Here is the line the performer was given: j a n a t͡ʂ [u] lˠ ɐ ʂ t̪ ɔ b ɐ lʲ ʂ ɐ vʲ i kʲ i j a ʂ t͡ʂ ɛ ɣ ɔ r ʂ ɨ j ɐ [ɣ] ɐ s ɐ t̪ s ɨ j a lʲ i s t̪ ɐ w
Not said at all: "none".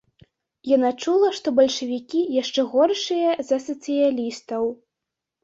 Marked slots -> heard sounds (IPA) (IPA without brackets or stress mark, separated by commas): u, z